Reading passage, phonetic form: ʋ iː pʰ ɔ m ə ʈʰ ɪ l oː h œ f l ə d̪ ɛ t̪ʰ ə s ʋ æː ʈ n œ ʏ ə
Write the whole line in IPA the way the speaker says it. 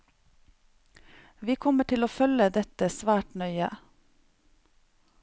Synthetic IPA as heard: ʋ iː kʰ ɔ m ə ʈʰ ɪ l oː f œ l ə d̪ ɛ t̪ ə s ʋ æː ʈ n œ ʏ ə